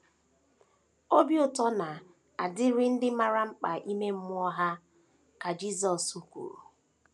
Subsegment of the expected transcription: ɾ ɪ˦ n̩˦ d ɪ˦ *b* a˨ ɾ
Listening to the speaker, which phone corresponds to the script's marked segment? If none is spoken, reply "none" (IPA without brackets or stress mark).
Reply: m